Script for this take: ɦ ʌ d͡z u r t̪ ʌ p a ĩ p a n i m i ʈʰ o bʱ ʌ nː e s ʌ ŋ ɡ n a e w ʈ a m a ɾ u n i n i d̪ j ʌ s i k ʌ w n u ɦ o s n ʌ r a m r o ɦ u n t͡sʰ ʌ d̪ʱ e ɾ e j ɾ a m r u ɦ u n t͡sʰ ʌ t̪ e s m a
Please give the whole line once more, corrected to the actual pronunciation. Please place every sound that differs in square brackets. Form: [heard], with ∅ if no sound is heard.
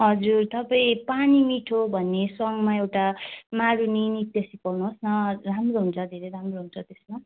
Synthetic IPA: ɦ ʌ d͡z u r t̪ ʌ p a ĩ p a n i m i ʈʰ o bʱ ʌ nː e s ʌ ŋ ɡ [m] a e w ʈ a m a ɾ u n i n i [t̪] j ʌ s i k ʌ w n u ɦ o s n ʌ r a m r o ɦ u n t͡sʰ ʌ d̪ʱ e ɾ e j ɾ a m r [o] ɦ u n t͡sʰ ʌ t̪ e s m a